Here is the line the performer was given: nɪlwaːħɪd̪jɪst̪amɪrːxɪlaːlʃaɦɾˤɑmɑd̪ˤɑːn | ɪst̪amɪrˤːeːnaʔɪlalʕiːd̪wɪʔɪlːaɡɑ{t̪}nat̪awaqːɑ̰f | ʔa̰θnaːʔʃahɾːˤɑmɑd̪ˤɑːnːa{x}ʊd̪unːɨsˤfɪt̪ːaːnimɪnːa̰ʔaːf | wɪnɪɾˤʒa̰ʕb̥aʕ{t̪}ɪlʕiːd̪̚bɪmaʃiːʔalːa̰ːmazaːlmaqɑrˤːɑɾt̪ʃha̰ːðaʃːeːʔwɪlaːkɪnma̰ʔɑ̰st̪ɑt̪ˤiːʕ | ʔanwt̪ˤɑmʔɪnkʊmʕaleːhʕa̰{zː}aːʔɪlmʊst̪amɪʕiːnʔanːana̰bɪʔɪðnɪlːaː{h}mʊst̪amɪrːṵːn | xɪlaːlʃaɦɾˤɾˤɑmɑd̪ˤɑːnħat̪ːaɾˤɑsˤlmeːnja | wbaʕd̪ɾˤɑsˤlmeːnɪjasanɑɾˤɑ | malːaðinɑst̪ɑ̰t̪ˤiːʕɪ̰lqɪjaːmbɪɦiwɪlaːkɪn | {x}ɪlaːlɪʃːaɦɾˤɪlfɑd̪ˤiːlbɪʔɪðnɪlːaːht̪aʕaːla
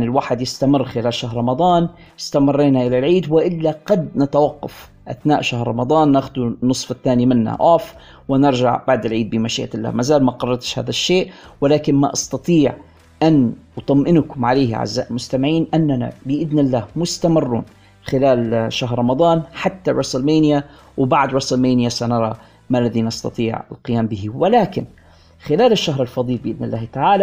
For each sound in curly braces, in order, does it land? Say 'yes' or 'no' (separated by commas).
no, yes, no, yes, yes, yes